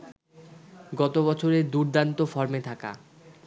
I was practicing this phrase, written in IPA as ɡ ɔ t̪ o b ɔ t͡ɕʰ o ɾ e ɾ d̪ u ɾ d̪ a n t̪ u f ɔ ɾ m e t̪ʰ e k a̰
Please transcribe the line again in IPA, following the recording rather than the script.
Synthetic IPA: ɡ ɔ t̪ o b ɔ t͡ɕʰ o ɾ e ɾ d̪ u ɾ d̪ a n t̪ o f ɔ ɾ m e t̪ʰ a k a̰